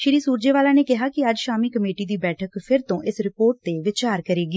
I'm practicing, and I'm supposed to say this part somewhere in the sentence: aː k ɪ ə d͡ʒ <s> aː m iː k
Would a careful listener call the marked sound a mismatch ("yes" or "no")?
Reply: yes